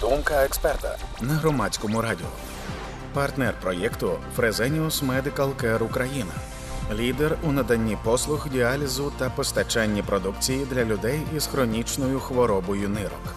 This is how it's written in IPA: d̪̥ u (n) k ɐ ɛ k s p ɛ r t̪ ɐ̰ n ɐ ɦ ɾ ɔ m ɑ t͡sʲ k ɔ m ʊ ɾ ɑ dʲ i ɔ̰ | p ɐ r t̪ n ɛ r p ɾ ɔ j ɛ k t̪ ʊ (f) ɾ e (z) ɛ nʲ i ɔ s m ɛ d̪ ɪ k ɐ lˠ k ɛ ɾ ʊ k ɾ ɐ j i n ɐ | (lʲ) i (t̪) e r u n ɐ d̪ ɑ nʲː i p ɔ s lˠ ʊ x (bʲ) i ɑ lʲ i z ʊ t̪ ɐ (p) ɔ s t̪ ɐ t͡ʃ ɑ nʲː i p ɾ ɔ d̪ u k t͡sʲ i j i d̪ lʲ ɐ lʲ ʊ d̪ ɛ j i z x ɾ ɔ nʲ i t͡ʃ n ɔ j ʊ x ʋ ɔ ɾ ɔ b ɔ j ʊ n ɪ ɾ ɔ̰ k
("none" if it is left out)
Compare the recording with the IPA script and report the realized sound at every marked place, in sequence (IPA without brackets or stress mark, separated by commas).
m, f, z, lʲ, d̪, dʲ, p